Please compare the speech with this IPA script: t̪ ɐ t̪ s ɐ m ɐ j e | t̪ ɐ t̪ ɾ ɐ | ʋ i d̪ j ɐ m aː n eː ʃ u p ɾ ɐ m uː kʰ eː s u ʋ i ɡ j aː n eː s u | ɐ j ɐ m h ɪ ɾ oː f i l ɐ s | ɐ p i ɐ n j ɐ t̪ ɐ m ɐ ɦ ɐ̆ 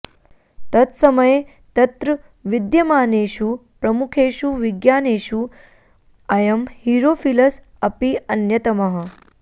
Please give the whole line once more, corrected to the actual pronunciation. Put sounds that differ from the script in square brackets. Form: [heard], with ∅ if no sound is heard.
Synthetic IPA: t̪ ɐ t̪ s ɐ m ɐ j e | t̪ ɐ t̪ ɾ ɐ | ʋ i d̪ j ɐ m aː n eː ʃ u p ɾ ɐ m [u] kʰ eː [ʃ] u ʋ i ɡ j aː n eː [ʃ] u | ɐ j ɐ m h [i] ɾ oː f i l ɐ s | ɐ p i ɐ n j ɐ t̪ ɐ m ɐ ɦ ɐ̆

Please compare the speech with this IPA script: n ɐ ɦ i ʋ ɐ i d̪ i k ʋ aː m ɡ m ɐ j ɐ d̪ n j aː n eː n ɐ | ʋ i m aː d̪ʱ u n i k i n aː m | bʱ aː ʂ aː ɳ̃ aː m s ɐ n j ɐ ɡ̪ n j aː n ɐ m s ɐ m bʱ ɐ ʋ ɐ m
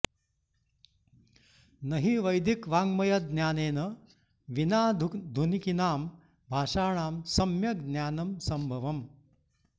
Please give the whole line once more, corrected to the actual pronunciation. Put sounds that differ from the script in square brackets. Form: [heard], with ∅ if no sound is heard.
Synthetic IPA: n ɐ ɦ i ʋ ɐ [j] d̪ i k ʋ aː [ŋ] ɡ m ɐ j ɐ d̪ n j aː n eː n ɐ | ʋ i [n] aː d̪ʱ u n i k i n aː m | bʱ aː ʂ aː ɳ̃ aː m s ɐ [m] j ɐ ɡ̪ n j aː n ɐ m s ɐ m bʱ ɐ ʋ ɐ m

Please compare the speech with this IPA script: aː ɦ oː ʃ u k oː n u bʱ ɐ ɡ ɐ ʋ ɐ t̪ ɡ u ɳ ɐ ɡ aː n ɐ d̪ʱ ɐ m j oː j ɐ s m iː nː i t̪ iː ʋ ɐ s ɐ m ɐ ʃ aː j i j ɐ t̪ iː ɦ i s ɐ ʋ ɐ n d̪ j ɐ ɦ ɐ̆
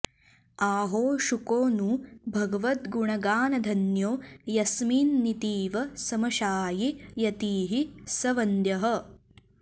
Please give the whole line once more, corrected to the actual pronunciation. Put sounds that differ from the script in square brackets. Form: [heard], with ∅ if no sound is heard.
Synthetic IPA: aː ɦ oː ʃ u k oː n u bʱ ɐ ɡ ɐ ʋ ɐ t̪ ɡ u ɳ ɐ ɡ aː n ɐ d̪ʱ ɐ [n] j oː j ɐ s m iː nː i t̪ iː ʋ ɐ s ɐ m ɐ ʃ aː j i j ɐ t̪ iː ɦ i s ɐ ʋ ɐ n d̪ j ɐ ɦ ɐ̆

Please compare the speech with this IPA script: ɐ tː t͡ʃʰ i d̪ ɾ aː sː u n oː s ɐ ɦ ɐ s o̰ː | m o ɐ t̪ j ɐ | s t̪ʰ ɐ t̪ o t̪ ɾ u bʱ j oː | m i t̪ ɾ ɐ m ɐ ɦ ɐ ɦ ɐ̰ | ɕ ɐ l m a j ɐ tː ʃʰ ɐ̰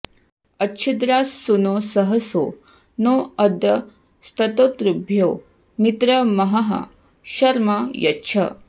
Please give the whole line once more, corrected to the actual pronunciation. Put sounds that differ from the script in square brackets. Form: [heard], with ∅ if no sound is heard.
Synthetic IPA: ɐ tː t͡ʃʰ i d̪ ɾ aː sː u n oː s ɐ ɦ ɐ s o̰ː | [n] o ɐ [d̪] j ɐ | s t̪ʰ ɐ t̪ o t̪ ɾ u bʱ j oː | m i t̪ ɾ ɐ m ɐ ɦ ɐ ɦ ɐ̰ | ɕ ɐ [ɾ] m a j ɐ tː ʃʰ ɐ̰

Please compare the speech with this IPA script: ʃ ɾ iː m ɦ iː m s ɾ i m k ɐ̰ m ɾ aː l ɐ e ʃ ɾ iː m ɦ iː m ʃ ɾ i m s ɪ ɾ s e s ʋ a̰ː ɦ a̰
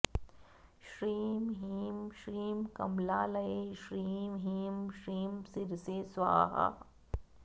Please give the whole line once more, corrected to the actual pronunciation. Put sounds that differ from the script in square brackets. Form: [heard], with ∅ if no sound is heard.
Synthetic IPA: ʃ ɾ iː m ɦ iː m [ʃ] ɾ [iː] m k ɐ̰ m [l] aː l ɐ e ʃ ɾ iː m ɦ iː m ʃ ɾ [iː] m s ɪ ɾ s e s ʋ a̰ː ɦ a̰

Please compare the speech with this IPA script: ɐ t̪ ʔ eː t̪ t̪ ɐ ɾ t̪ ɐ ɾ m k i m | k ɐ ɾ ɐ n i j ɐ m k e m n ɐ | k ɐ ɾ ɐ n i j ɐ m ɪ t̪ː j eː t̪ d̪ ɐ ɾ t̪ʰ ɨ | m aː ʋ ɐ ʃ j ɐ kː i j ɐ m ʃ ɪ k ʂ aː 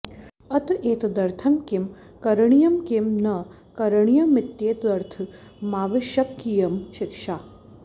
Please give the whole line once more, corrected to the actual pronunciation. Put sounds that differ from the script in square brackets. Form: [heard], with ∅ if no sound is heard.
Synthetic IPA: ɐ t̪ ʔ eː t̪ [d̪] ɐ ɾ [t̪ʰ] ɐ [∅] m k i m | k ɐ ɾ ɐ [ɳ] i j ɐ m k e m n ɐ | k ɐ ɾ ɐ [ɳ] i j ɐ m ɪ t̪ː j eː t̪ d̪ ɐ ɾ t̪ʰ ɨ | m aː ʋ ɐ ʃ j ɐ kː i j ɐ m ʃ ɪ k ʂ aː

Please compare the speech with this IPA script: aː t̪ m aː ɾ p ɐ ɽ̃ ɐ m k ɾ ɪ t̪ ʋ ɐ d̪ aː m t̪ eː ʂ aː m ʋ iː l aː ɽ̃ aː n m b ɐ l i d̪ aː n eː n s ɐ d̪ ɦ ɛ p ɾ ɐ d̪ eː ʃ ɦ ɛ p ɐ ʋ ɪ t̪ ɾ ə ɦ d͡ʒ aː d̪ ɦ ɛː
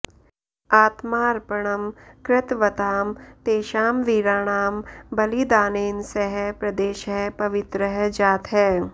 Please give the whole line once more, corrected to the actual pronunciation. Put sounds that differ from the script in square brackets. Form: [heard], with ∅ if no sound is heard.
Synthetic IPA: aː t̪ m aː ɾ p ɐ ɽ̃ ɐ m k ɾ ɪ t̪ ʋ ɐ [t̪] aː m t̪ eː [ʃ] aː m ʋ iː [ɾ] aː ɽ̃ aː [∅] m b ɐ l i d̪ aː n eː n s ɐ [∅] ɦ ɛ p ɾ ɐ d̪ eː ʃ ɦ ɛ p ɐ ʋ ɪ t̪ ɾ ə ɦ d͡ʒ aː [t̪] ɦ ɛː

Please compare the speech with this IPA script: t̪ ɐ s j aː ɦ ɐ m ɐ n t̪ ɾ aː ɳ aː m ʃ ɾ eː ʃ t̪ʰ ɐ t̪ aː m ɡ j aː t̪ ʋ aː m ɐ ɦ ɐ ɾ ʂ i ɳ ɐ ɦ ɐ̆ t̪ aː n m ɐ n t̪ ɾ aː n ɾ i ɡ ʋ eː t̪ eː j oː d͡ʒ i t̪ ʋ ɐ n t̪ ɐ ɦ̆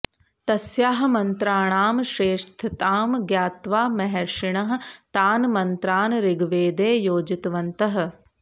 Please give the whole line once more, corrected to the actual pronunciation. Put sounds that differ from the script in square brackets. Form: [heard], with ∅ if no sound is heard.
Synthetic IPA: t̪ ɐ s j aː ɦ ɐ m ɐ n t̪ ɾ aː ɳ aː m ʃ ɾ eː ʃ t̪ʰ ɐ t̪ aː m ɡ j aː t̪ ʋ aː m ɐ ɦ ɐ ɾ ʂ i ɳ ɐ ɦ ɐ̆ t̪ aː n m ɐ n t̪ ɾ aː n ɾ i ɡ ʋ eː [d̪] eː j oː d͡ʒ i t̪ ʋ ɐ n t̪ ɐ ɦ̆

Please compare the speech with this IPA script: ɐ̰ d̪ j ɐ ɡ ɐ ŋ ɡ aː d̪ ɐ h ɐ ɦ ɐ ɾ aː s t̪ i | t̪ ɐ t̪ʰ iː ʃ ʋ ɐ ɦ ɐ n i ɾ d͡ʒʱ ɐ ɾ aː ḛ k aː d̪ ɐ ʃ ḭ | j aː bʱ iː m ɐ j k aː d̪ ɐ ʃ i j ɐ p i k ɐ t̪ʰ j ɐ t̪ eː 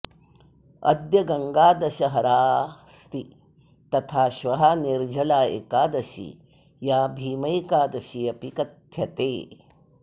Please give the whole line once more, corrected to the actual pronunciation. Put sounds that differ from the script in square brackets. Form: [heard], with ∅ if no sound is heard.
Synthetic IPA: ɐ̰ d̪ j ɐ ɡ ɐ ŋ ɡ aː d̪ ɐ [ʃ] ɐ ɦ ɐ ɾ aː s t̪ i | t̪ ɐ t̪ʰ [aː] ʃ ʋ ɐ ɦ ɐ n i ɾ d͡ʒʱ ɐ [l] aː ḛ k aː d̪ ɐ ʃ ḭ | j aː bʱ iː m ɐ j k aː d̪ ɐ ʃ i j ɐ p i k ɐ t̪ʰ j ɐ t̪ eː

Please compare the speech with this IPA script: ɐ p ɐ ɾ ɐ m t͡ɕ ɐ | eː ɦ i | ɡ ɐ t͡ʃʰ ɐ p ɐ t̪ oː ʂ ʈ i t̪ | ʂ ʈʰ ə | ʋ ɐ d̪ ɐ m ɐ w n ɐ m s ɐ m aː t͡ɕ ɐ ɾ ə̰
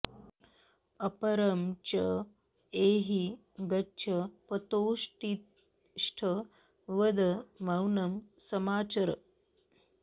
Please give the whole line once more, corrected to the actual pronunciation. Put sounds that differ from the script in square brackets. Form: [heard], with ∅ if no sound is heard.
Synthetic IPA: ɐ p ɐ ɾ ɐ m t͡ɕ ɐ | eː ɦ i | ɡ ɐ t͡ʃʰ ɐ p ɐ t̪ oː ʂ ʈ i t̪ | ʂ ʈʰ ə | ʋ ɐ d̪ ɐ m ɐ w n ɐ m s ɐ m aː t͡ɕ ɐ ɾ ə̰

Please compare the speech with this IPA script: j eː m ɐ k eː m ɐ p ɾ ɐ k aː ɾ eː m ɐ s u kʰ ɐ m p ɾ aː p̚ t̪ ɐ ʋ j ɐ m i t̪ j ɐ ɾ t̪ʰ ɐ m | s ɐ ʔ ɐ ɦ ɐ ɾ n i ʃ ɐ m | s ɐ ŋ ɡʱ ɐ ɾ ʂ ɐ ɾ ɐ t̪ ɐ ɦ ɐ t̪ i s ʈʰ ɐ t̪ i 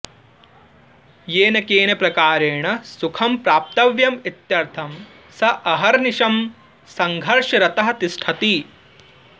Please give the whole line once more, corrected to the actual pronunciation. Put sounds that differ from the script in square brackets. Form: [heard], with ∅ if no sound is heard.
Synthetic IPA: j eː [n] ɐ k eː [n] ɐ p ɾ ɐ k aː ɾ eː [ɳ] ɐ s u kʰ ɐ m p ɾ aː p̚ t̪ ɐ ʋ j ɐ m i t̪ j ɐ ɾ t̪ʰ ɐ m | s ɐ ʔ ɐ ɦ ɐ ɾ n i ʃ ɐ m | s ɐ ŋ ɡʱ ɐ ɾ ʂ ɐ ɾ ɐ t̪ ɐ ɦ ɐ t̪ i s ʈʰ ɐ t̪ i

